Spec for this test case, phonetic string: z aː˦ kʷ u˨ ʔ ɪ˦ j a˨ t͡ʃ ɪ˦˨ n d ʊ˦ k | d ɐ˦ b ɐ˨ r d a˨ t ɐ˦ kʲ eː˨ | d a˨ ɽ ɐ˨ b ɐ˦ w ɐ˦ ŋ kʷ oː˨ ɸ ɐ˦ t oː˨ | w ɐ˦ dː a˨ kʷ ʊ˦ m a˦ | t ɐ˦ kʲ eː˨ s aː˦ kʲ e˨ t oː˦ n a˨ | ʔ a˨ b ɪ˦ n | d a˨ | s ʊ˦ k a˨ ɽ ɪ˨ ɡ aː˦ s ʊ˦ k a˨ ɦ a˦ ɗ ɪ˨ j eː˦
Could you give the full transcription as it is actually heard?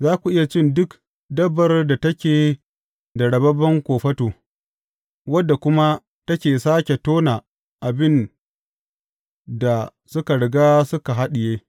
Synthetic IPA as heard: z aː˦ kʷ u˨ ʔ ɪ˦ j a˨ t͡ʃ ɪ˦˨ n d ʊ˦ k | d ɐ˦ b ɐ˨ r d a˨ t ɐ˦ kʲ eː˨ | d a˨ ɽ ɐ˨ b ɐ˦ b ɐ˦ ŋ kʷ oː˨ ɸ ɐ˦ t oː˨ | w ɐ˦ dː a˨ kʷ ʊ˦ m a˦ | t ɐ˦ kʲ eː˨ s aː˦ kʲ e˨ t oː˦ n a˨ | ʔ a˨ b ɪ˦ n | d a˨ | s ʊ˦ k a˨ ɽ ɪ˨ ɡ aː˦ s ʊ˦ k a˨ ɦ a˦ ɗ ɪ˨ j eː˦